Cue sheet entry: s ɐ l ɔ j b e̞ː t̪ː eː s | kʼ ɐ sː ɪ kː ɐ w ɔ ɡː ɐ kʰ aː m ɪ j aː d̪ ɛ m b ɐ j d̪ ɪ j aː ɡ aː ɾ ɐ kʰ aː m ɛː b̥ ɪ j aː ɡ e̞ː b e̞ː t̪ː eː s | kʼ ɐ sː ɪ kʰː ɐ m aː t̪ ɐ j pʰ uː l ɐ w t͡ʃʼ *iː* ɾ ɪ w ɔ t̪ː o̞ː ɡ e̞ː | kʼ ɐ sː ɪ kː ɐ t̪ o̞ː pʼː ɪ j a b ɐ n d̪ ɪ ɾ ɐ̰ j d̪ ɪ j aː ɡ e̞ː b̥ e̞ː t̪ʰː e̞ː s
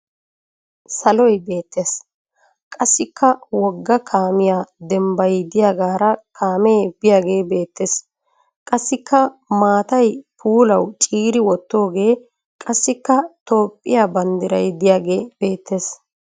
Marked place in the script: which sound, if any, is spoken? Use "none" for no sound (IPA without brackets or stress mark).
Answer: iː